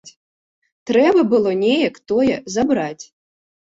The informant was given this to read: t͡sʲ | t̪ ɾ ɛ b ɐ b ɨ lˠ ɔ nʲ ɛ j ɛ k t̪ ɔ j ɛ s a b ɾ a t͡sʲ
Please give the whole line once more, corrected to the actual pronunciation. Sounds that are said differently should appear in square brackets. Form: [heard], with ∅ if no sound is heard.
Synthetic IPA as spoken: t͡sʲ | t̪ ɾ ɛ b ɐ b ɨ lˠ ɔ nʲ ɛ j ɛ k t̪ ɔ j ɛ [z] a b ɾ a t͡sʲ